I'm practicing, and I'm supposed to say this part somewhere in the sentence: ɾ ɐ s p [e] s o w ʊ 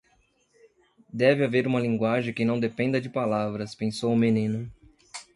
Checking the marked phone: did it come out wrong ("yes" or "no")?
yes